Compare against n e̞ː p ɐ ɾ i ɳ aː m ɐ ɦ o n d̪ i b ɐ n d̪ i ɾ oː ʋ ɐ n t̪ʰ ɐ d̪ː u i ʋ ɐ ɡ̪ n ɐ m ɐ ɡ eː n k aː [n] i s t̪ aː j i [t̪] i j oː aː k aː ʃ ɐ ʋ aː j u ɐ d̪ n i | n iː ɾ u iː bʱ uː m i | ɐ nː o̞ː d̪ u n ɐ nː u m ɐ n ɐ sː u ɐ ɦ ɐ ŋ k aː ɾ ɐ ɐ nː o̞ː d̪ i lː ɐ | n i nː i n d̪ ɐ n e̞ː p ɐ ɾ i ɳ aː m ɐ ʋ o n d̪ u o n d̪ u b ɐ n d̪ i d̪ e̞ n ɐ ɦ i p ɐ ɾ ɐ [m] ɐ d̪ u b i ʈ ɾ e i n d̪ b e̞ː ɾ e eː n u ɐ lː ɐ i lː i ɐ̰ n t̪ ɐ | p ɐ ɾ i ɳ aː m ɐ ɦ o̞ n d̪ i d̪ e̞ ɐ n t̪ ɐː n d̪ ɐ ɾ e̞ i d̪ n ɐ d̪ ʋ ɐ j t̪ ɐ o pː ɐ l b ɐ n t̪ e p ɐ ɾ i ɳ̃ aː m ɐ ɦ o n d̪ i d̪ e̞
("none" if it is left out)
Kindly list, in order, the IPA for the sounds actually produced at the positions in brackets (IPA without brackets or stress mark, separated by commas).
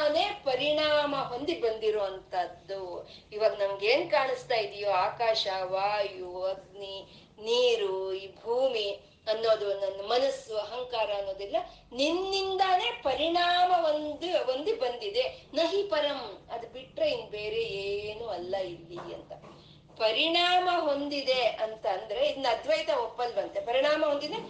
ɳ, d̪, m